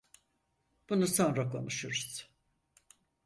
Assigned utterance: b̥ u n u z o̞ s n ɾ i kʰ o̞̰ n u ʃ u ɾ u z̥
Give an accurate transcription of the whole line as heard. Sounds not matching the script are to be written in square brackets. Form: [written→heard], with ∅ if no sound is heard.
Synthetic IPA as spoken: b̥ u n u [z→s] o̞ [s→∅] n ɾ [i→a] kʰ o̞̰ n u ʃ u ɾ u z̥